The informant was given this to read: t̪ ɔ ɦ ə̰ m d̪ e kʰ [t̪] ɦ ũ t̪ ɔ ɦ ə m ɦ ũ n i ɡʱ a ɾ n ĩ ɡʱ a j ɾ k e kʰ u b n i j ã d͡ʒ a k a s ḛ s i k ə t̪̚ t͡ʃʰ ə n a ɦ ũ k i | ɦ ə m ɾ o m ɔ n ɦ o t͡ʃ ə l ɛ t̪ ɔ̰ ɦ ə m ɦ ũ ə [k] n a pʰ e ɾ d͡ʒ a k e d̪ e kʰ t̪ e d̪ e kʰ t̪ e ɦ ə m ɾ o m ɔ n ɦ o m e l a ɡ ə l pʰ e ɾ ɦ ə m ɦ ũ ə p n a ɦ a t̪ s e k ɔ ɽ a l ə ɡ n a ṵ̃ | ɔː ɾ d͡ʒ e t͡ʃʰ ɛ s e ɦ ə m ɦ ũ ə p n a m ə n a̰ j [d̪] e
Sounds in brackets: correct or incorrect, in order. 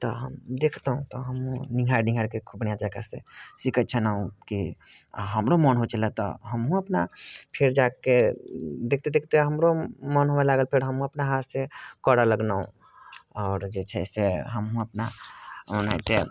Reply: correct, incorrect, incorrect

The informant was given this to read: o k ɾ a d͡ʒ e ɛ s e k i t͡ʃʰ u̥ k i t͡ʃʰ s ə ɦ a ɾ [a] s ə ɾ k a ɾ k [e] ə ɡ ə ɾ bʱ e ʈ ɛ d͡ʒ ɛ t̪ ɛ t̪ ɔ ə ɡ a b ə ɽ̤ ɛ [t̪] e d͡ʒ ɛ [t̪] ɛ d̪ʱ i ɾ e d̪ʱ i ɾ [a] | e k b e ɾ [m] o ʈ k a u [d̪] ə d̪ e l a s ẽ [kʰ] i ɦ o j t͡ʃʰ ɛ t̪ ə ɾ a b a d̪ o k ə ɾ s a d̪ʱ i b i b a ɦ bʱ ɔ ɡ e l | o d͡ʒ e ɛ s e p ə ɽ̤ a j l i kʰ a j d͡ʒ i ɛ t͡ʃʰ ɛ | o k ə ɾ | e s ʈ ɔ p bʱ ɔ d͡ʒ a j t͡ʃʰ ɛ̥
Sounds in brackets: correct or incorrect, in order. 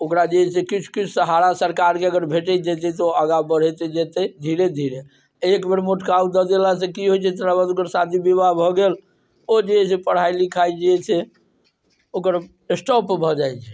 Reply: correct, correct, correct, correct, incorrect, correct, correct, incorrect

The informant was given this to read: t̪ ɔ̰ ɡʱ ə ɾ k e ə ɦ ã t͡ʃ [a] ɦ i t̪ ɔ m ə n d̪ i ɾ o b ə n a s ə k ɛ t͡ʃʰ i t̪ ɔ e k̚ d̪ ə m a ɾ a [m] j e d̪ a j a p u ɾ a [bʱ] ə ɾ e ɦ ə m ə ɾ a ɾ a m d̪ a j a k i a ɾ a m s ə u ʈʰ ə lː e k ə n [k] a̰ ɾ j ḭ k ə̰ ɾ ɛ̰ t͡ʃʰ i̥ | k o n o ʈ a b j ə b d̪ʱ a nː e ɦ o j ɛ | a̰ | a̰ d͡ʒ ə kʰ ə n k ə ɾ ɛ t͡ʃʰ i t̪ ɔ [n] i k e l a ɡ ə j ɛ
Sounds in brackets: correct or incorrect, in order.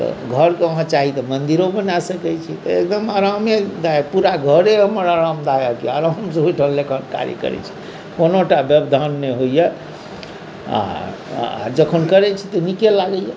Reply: correct, correct, incorrect, correct, correct

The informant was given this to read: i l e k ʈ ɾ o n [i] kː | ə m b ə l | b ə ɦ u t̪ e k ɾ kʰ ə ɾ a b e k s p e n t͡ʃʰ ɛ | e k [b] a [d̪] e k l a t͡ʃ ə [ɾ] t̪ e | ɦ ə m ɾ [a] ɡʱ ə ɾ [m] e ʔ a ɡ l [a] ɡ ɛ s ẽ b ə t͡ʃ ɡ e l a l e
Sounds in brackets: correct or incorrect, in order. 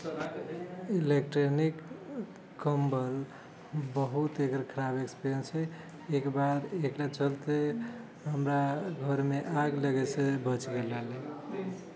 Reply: correct, correct, correct, incorrect, correct, correct, incorrect

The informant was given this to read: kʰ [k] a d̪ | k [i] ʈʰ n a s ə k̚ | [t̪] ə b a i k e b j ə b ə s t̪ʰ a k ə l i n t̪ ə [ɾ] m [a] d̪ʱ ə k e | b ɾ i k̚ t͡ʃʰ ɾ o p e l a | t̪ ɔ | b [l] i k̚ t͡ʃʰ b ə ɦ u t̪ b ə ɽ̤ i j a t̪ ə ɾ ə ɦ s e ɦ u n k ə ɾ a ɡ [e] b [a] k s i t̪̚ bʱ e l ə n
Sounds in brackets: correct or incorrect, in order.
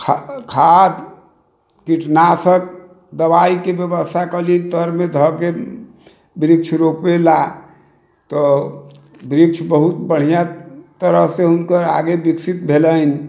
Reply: incorrect, correct, incorrect, correct, incorrect, incorrect, correct, incorrect

